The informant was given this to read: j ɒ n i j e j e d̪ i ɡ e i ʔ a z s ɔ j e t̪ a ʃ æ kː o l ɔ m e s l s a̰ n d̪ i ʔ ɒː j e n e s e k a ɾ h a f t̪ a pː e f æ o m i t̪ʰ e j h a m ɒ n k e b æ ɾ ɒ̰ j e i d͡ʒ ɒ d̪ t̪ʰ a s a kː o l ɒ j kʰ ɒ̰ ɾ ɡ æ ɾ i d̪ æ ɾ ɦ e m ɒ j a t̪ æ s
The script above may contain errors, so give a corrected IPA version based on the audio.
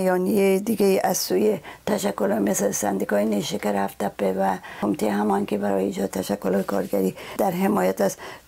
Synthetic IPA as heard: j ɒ n i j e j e d̪ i ɡ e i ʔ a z s u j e t̪ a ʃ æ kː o l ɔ m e s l s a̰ n d̪ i k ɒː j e n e ʃ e k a ɾ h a f t̪ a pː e v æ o m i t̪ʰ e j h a m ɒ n k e b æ ɾ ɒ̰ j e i d͡ʒ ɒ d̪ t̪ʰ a ʃ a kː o l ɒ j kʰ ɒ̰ ɾ ɡ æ ɾ i d̪ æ ɾ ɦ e m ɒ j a t̪ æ s